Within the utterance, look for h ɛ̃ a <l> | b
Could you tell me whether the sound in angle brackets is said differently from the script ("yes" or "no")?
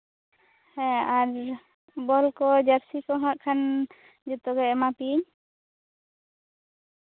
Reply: yes